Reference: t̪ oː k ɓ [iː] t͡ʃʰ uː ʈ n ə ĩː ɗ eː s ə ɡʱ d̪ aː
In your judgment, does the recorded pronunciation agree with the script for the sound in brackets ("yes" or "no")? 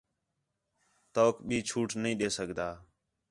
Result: yes